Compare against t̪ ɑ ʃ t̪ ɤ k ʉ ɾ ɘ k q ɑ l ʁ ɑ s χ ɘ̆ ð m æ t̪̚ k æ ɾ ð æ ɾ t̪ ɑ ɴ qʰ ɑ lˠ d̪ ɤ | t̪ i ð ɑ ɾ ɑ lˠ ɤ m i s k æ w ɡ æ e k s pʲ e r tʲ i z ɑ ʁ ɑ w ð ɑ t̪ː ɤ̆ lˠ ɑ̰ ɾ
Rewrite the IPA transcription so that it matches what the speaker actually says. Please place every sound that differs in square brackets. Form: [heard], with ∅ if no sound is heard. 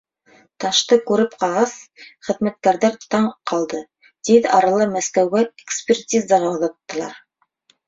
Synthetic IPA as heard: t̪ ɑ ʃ t̪ ɤ k ʉ ɾ ɘ [p] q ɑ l ʁ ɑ s χ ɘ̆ ð m æ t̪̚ k æ ɾ ð æ ɾ t̪ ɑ ɴ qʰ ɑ lˠ d̪ ɤ | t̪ i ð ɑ ɾ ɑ lˠ ɤ m [æ] s k æ w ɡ æ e k s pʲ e r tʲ i z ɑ ʁ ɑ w ð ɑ t̪ː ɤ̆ lˠ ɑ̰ ɾ